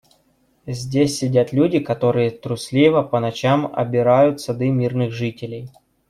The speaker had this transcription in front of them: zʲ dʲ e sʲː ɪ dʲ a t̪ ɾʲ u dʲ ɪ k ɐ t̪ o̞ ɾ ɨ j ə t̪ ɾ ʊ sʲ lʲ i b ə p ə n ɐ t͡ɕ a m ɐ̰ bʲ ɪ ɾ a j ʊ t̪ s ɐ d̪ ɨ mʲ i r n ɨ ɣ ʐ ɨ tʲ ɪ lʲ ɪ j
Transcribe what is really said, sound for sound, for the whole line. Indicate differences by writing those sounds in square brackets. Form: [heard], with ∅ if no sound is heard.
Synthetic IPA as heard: zʲ dʲ e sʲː ɪ dʲ a t̪ [lʲ] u dʲ ɪ k ɐ t̪ o̞ ɾ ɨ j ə t̪ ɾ ʊ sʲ lʲ i [v] ə p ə n ɐ t͡ɕ a m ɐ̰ bʲ ɪ ɾ a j ʊ t̪ s ɐ d̪ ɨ mʲ i r n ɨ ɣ ʐ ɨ tʲ ɪ lʲ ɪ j